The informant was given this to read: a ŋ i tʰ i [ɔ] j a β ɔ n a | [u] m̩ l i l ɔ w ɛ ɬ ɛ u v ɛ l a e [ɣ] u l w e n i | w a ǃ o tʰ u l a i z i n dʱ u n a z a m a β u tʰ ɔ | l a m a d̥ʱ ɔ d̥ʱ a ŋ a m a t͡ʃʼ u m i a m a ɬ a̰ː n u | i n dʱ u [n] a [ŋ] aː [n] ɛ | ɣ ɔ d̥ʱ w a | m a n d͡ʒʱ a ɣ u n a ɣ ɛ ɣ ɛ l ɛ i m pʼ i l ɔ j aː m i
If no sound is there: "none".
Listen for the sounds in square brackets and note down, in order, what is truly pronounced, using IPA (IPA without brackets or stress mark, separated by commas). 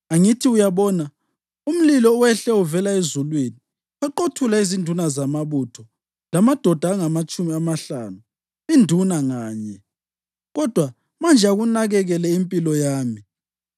u, u, z, n, ŋ, ɲ